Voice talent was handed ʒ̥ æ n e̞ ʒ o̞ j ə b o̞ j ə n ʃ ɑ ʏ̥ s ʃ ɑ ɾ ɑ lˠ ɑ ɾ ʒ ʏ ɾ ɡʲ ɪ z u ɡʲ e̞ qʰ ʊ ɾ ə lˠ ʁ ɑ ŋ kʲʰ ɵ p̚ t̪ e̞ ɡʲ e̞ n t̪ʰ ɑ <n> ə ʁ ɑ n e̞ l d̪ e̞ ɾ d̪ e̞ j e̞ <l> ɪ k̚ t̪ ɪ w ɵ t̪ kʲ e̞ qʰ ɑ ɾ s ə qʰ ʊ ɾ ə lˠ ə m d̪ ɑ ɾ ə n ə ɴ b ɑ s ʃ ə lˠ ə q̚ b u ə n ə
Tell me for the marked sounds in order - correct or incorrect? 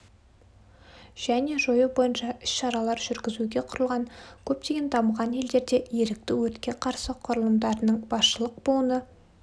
incorrect: m, incorrect: ɾ

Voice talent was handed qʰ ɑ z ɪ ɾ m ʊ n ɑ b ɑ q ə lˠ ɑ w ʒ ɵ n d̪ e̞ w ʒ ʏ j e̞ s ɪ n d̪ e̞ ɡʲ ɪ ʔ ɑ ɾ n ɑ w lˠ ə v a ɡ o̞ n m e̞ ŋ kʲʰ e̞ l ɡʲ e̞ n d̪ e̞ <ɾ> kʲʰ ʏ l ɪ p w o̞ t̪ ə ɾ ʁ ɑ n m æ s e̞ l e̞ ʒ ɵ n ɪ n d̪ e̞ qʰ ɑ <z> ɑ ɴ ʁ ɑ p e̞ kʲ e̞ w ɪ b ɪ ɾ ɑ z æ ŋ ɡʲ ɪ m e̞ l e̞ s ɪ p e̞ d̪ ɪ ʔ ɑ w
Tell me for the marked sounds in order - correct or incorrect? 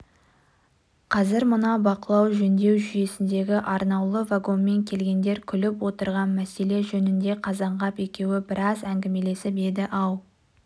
correct, correct

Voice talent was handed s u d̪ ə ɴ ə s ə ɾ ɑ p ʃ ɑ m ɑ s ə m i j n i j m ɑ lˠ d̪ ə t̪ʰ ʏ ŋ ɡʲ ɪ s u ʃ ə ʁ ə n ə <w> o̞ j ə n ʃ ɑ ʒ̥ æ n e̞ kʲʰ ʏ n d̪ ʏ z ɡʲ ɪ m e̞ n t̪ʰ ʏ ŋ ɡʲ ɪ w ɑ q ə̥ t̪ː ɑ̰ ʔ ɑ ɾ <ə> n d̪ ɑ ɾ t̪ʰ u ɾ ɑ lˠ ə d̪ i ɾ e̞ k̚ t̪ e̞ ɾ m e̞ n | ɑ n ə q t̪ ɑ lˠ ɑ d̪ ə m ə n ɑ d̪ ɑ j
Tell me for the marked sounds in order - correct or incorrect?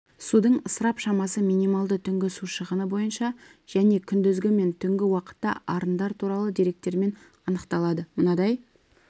incorrect: b, correct

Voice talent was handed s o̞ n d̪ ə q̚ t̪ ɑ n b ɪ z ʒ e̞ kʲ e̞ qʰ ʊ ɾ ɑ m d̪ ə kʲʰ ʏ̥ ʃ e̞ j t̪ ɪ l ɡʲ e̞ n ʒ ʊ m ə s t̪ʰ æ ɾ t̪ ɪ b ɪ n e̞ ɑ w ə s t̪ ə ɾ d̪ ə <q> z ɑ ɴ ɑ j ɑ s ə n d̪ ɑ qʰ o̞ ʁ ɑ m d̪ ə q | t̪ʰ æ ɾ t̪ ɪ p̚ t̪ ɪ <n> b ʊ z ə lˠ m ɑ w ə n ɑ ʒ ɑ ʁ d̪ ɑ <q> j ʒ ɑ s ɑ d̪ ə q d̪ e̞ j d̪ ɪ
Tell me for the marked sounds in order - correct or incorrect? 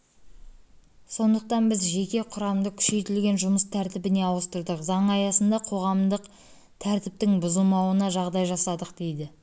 correct, incorrect: ŋ, incorrect: none

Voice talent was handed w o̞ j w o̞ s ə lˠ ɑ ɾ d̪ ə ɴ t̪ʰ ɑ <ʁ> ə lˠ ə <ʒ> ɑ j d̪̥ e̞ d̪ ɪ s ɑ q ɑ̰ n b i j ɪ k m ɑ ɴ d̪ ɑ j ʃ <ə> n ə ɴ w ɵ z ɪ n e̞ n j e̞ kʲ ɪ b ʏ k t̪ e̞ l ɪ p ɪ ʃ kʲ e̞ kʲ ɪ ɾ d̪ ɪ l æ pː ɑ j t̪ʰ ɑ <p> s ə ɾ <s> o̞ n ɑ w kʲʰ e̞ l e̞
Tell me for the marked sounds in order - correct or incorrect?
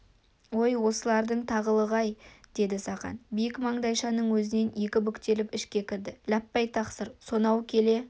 correct, incorrect: ʁ, incorrect: ɑ, incorrect: q, correct

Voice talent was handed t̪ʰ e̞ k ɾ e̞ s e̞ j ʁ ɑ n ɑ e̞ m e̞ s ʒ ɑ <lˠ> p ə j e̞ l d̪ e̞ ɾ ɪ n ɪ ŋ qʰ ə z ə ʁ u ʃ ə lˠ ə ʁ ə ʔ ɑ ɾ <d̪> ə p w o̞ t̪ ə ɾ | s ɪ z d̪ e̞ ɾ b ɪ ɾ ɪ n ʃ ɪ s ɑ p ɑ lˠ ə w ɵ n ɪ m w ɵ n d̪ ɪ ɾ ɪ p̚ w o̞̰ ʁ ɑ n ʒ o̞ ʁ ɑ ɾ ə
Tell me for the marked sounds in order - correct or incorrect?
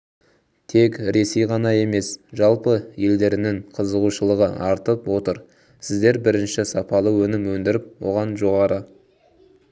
correct, incorrect: t̪

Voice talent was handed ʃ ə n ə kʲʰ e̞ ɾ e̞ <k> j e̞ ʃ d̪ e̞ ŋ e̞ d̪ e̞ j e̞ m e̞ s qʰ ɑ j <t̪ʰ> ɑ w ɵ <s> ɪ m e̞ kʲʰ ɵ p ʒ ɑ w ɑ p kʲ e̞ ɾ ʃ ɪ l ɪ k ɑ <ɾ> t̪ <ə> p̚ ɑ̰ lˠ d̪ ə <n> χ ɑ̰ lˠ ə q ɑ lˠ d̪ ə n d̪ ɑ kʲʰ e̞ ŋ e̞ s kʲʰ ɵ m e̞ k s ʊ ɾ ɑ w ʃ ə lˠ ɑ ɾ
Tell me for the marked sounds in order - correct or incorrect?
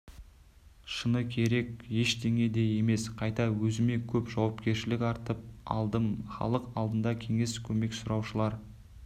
correct, incorrect: t̪, incorrect: z, correct, correct, incorrect: m

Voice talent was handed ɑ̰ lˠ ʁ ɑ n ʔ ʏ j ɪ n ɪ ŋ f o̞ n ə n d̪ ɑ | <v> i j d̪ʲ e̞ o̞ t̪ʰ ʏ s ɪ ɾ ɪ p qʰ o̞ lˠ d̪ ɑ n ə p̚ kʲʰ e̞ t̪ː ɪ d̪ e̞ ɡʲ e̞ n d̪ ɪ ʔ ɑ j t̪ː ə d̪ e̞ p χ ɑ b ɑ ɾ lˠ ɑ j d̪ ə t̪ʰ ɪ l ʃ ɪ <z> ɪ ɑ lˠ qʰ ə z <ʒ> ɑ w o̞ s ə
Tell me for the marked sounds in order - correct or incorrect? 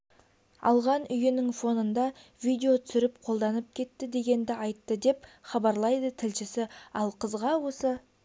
correct, incorrect: s, incorrect: ʁ

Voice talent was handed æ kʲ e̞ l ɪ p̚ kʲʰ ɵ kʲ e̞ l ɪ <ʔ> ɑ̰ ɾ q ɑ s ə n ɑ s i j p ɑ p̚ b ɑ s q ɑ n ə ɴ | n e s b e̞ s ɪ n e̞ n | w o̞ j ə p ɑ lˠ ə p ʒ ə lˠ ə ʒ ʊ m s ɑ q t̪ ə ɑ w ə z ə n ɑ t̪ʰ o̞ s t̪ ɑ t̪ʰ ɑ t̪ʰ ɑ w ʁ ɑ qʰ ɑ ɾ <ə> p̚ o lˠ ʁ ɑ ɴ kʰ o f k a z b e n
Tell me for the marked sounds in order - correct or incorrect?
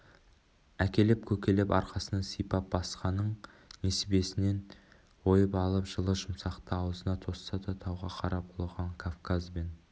incorrect: p, incorrect: ɑ

